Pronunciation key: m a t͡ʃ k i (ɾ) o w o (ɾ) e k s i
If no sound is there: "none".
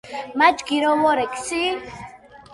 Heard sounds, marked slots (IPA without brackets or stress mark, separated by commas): ɾ, ɾ